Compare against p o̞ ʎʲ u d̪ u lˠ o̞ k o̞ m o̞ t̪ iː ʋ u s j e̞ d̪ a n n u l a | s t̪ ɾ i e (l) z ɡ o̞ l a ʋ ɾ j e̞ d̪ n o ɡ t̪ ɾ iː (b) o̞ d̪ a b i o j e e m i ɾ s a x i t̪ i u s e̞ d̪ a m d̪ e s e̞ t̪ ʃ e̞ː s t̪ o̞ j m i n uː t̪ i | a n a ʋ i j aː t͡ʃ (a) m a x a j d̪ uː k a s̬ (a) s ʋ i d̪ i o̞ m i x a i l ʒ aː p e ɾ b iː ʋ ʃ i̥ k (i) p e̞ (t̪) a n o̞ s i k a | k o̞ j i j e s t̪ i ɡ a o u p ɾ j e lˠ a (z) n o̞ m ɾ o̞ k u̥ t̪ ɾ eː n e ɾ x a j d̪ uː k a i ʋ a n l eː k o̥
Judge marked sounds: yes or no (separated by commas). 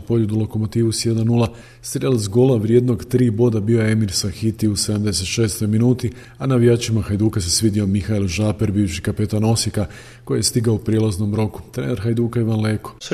yes, yes, no, no, no, yes, yes